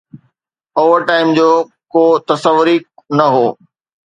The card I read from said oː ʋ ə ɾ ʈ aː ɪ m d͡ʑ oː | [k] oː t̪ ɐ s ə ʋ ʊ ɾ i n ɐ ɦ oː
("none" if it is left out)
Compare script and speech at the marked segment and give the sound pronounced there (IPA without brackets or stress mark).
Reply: k